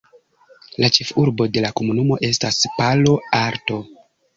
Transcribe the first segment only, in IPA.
l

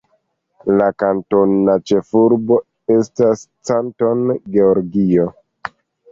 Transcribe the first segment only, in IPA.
l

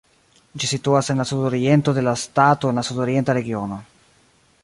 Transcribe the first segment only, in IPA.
d͡ʒ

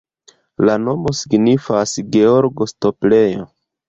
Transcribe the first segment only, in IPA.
l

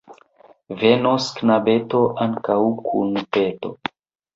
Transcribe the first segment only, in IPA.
v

